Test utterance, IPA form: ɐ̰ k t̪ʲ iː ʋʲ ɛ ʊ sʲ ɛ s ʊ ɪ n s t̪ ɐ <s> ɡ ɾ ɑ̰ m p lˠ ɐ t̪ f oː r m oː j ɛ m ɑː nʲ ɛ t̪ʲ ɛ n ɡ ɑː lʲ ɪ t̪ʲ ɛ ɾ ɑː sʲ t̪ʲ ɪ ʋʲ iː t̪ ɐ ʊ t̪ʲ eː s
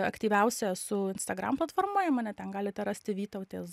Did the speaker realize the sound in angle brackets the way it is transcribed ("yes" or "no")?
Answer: no